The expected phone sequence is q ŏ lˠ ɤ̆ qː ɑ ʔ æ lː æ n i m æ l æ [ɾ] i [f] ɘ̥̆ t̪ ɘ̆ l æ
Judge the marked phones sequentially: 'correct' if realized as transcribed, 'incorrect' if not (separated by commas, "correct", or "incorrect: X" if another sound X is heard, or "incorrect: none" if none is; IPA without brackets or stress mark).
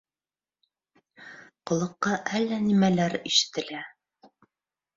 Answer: correct, incorrect: ʃ